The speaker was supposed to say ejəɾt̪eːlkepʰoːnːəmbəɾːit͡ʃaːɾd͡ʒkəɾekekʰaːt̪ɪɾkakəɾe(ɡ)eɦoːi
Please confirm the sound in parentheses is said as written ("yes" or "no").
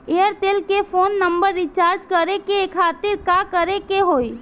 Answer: no